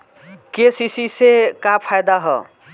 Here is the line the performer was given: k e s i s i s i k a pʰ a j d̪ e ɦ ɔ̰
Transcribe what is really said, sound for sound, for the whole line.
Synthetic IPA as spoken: k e s i s i s e k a pʰ a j d̪ a ɦ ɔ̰